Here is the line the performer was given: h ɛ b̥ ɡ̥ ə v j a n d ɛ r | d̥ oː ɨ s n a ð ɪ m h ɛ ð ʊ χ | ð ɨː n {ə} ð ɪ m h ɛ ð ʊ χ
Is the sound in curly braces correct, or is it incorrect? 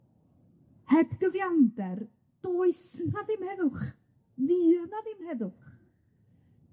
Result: incorrect